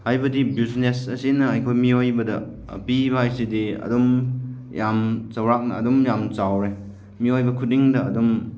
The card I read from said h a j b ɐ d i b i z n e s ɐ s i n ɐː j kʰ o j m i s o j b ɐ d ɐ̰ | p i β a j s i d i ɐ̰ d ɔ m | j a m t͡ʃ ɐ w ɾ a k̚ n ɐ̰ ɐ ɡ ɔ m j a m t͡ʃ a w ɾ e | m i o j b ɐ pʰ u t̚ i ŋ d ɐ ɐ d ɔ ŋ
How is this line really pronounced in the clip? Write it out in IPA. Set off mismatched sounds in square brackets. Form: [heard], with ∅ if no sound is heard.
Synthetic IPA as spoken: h a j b ɐ d i b i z n e s ɐ s i n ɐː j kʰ o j m i [∅] o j b ɐ d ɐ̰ | p i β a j s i d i ɐ̰ d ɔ m | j a m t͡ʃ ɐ w ɾ a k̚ n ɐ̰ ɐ [d] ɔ m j a m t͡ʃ a w ɾ e | m i o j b ɐ [kʰ] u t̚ i ŋ d ɐ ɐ d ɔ [m]

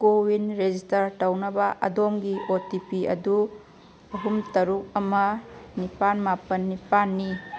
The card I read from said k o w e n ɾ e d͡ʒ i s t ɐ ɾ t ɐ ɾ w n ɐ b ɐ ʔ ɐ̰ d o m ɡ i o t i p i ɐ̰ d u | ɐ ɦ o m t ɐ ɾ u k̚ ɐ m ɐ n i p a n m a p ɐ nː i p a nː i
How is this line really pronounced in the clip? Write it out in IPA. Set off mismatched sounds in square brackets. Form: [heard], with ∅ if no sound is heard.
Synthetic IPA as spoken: k o w [i] n ɾ e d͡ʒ i s t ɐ ɾ t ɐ [∅] w n ɐ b ɐ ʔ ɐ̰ d o m ɡ i o t i p i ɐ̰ d u | ɐ ɦ [u] m t ɐ ɾ u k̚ ɐ m ɐ n i p a n m a p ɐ nː i p a nː i

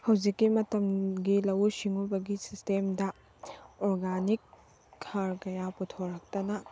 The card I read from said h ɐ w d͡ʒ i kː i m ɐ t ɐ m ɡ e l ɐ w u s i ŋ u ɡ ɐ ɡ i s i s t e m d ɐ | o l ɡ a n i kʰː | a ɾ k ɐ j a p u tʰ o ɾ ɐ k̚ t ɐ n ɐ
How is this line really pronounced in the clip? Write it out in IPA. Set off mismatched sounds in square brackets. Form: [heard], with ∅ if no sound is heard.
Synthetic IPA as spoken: h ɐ w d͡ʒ i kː i m ɐ t ɐ m ɡ [i] l ɐ w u s i ŋ u [b] ɐ ɡ i s i s t e m d ɐ | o [ɾ] ɡ a n i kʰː | a ɾ k ɐ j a p u tʰ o ɾ ɐ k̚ t ɐ n ɐ

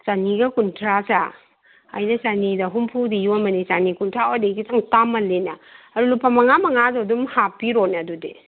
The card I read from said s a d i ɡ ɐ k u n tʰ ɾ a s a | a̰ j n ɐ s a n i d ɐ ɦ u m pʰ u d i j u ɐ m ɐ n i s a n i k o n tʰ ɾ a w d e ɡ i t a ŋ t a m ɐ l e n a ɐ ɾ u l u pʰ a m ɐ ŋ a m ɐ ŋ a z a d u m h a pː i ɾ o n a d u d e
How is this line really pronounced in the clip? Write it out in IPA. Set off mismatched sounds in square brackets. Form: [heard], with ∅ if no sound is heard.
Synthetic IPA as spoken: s a [n] i ɡ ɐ k u n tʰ ɾ a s a | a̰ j n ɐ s a n i d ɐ ɦ u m pʰ u d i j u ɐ m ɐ n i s a n i k [u] n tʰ ɾ a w d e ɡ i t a ŋ t a m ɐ l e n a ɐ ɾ u l u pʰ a m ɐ ŋ a m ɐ ŋ a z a d u m h a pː i ɾ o n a d u d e

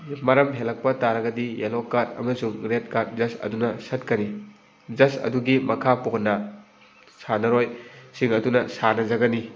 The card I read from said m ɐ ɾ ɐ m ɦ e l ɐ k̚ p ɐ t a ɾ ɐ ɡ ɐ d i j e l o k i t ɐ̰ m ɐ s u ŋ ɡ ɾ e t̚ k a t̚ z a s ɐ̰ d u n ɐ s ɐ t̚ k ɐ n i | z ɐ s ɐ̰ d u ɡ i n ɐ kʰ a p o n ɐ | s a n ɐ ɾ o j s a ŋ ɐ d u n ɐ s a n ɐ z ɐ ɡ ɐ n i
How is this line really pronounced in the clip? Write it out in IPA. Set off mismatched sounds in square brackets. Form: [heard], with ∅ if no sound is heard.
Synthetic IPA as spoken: m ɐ ɾ ɐ m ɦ e l ɐ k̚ p ɐ t a ɾ ɐ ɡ ɐ d i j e l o k [a] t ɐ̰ m ɐ s u ŋ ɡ ɾ e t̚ k a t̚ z [ɐ] s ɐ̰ d u n ɐ s ɐ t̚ k ɐ n i | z ɐ s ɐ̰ d u ɡ i [m] ɐ kʰ a p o n ɐ | s a n ɐ ɾ o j s [i] ŋ ɐ d u n ɐ s a n ɐ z ɐ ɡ ɐ n i

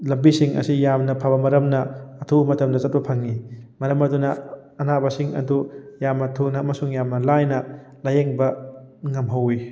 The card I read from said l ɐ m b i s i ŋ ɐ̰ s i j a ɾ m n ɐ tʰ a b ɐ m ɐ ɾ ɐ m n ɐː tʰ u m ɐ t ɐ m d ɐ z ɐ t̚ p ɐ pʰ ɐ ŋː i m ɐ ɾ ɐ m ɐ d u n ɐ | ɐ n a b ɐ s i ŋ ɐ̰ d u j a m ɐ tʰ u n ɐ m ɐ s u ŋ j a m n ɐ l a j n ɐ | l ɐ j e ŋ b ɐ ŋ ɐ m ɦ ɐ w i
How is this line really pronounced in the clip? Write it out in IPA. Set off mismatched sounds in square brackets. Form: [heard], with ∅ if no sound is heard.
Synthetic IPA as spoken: l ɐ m b i s i ŋ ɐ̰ s i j a [∅] m n ɐ [pʰ] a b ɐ m ɐ ɾ ɐ m n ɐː tʰ u m ɐ t ɐ m d ɐ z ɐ t̚ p ɐ pʰ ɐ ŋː i m ɐ ɾ ɐ m ɐ d u n ɐ | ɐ n a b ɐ s i ŋ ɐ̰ d u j a m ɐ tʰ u n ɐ m ɐ s u ŋ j a m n ɐ l a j n ɐ | l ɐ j e ŋ b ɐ ŋ ɐ m ɦ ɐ w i

